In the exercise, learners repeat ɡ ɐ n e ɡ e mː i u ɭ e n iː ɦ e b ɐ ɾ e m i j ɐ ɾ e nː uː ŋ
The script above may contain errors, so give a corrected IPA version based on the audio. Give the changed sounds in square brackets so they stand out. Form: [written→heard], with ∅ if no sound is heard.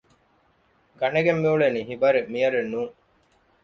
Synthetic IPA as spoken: ɡ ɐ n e ɡ e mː i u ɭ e n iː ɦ [e→i] b ɐ ɾ e m i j ɐ ɾ e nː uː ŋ